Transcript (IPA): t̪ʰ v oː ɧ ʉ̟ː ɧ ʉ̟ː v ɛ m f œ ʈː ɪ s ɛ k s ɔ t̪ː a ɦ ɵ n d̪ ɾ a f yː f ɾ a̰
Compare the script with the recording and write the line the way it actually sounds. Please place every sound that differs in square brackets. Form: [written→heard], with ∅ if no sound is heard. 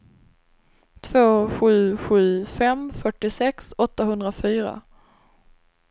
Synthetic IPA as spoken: t̪ʰ v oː ɧ ʉ̟ː ɧ ʉ̟ː [v→f] ɛ m f œ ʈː ɪ s ɛ k s ɔ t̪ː a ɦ ɵ n d̪ ɾ a f yː [f→∅] ɾ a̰